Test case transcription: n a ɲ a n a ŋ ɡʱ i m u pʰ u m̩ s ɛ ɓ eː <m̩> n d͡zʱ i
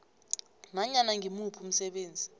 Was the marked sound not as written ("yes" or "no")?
yes